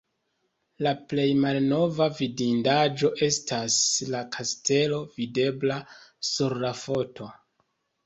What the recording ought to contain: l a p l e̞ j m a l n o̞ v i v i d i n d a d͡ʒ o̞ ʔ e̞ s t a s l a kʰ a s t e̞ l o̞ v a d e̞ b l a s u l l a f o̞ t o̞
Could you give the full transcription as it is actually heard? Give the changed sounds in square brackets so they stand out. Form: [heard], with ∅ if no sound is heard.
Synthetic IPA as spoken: l a p l e̞ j m a l n o̞ v [a] v i d i n d a d͡ʒ o̞ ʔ e̞ s t a s l a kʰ a s t e̞ l o̞ v [i] d e̞ b l a s u [ɾ] l a f o̞ t o̞